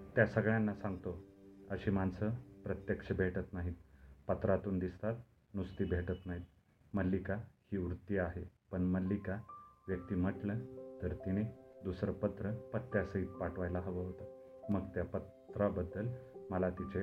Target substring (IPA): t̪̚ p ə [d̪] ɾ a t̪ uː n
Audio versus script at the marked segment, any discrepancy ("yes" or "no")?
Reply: yes